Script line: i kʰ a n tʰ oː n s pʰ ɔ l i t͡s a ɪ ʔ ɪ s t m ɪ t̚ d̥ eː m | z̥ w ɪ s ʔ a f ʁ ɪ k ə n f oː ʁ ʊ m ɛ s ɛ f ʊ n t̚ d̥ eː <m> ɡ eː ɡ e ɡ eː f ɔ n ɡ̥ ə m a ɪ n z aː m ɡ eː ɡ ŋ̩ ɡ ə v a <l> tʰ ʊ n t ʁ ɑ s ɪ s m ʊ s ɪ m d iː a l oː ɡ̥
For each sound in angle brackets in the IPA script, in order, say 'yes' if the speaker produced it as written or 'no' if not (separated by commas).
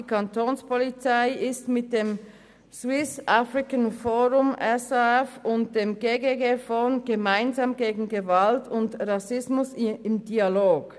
yes, yes